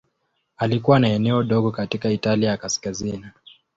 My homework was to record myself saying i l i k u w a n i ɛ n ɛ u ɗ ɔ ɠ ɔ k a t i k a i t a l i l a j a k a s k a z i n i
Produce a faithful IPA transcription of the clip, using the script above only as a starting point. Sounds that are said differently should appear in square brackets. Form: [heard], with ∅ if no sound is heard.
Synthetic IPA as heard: [a] l i k u w a n [a] ɛ n ɛ [ɔ] ɗ ɔ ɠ ɔ k a t i k a i t a l i [∅] a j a k a s k a z i n i